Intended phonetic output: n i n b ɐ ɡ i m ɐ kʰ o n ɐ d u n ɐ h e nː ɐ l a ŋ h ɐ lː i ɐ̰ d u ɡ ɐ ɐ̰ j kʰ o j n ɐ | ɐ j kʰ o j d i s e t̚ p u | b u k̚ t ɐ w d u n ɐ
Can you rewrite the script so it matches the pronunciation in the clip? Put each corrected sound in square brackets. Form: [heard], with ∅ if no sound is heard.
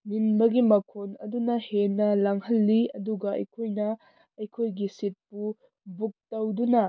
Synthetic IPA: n i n b ɐ ɡ i m ɐ kʰ o n ɐ d u n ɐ h e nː ɐ l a ŋ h ɐ lː i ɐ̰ d u ɡ ɐ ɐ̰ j kʰ o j n ɐ | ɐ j kʰ o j [ɡ] i s [i] t̚ p u | b u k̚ t ɐ w d u n ɐ